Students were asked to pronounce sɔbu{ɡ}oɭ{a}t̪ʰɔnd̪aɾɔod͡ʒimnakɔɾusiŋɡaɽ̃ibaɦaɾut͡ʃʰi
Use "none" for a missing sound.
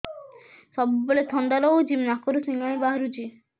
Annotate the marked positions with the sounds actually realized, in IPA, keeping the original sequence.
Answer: b, e

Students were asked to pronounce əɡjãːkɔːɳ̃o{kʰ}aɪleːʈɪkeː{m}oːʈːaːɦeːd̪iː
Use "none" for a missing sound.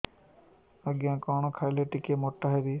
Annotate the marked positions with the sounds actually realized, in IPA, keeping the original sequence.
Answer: kʰ, m

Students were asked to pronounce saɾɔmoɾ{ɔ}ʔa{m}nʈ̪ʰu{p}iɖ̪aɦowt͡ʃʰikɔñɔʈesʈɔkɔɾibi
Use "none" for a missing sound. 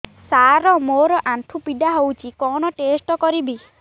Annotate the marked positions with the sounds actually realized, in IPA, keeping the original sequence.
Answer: ɔ, none, p

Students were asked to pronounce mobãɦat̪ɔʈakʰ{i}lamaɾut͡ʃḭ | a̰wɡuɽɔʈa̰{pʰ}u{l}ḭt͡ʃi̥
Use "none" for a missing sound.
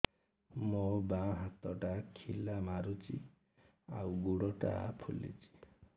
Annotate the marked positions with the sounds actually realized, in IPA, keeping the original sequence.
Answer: i, pʰ, l

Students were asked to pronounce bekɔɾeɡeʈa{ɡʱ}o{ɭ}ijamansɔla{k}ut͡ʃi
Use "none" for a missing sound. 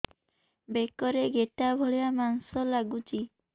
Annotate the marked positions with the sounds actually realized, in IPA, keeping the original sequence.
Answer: bʱ, ɭ, ɡ

